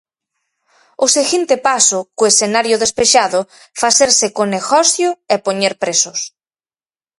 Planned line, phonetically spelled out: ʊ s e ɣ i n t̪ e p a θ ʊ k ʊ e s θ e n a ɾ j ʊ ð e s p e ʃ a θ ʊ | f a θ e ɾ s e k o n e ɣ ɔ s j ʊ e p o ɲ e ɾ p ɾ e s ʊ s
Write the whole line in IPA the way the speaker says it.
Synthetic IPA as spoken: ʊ s e ɣ i n t̪ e p a s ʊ k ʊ e s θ e n a ɾ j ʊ ð e s p e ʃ a ð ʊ | f a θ e ɾ s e k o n e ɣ ɔ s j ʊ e p o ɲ e ɾ p ɾ e s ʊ s